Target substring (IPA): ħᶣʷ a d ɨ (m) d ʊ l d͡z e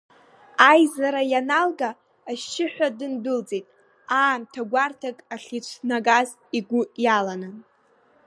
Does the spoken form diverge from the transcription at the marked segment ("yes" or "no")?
yes